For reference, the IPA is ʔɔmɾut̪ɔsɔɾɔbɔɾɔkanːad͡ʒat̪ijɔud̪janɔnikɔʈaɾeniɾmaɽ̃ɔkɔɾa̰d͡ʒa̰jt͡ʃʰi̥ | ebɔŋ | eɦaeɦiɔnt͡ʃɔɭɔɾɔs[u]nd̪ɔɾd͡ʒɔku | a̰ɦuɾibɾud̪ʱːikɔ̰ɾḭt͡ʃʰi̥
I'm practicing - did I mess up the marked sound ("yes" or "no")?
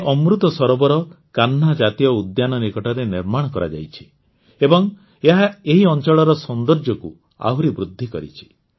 yes